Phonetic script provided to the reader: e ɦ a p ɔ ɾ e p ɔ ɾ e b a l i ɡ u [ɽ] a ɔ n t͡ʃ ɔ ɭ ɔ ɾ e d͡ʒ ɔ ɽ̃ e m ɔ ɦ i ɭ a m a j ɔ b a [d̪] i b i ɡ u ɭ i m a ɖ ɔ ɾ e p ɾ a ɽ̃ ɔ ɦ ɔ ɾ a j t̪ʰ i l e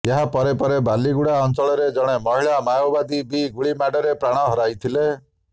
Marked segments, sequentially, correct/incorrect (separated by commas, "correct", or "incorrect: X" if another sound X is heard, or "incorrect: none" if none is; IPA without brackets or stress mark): correct, correct